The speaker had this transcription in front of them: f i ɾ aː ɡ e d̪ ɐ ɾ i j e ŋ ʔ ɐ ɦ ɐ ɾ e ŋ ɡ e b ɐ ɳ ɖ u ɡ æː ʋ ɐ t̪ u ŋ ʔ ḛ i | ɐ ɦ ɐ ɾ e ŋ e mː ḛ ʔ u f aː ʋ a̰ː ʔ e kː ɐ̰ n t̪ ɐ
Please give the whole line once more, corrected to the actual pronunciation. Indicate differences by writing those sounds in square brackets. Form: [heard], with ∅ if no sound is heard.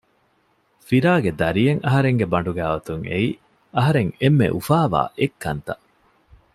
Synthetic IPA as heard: f i ɾ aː ɡ e d̪ ɐ ɾ i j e ŋ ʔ ɐ ɦ ɐ ɾ e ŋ ɡ e b ɐ ɳ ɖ u ɡ æː ʋ ɐ t̪ u ŋ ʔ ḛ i | ɐ ɦ ɐ ɾ e ŋ e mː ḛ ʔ u f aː ʋ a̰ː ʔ e kː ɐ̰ n t̪ ɐ